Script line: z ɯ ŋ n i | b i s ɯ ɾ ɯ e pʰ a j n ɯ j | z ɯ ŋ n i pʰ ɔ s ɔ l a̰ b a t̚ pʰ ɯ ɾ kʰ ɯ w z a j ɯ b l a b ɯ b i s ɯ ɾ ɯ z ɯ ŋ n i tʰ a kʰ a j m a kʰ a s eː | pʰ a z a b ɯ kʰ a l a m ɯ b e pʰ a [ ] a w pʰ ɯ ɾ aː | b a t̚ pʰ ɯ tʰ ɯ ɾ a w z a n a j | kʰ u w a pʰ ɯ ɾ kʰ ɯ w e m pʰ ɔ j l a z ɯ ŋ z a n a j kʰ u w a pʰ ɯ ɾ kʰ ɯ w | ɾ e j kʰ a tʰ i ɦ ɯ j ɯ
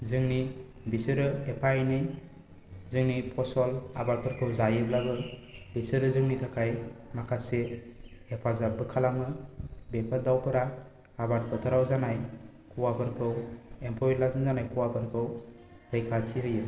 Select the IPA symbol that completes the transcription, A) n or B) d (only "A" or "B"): B